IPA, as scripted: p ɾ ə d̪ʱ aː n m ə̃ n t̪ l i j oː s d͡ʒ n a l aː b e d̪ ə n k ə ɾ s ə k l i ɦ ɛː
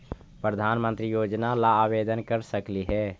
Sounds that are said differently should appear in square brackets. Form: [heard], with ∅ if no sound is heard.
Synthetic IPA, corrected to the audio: p ɾ ə d̪ʱ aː n m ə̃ n t̪ [ɾ] i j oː [∅] d͡ʒ n a l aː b e d̪ ə n k ə ɾ s ə k l i ɦ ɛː